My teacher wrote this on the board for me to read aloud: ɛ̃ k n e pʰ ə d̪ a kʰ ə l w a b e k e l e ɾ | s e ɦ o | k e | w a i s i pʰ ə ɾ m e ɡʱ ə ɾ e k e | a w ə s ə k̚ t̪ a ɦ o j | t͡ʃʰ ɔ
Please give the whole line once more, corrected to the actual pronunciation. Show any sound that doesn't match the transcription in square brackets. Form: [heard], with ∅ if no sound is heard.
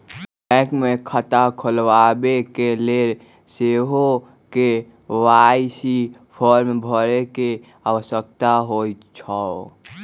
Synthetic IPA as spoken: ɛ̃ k [m] e [kʰ] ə [t̪] a kʰ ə l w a b e k e l e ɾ | s e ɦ o | k e | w a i s i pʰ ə ɾ m e [bʱ] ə ɾ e k e | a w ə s ə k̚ t̪ a ɦ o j | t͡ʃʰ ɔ